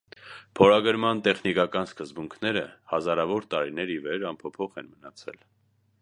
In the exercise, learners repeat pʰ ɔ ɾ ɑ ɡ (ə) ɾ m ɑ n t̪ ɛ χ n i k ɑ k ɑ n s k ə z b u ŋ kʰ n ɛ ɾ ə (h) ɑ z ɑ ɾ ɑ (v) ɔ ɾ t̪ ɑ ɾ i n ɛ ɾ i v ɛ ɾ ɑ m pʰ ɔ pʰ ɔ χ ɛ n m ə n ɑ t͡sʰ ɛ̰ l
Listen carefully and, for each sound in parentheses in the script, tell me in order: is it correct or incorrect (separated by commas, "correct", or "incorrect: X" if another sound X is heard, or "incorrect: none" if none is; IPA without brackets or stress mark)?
correct, correct, correct